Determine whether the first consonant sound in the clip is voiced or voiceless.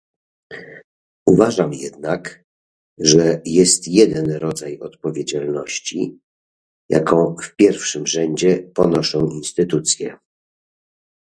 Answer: voiced